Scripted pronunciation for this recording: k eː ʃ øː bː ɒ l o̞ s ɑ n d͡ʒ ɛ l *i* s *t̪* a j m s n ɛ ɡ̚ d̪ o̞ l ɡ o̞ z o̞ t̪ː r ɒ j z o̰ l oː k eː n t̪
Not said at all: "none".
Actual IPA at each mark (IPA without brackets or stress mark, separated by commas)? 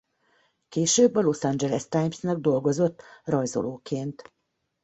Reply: ɛ, t̪